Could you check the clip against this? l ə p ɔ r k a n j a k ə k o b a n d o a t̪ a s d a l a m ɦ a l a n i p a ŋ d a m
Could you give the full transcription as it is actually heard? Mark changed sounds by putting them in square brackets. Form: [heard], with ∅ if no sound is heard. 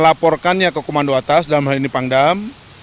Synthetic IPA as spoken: l [a] p ɔ r k a n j a k ə k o [m] a n d o a t̪ a s d a l a m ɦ a l [i] n i p a ŋ d a m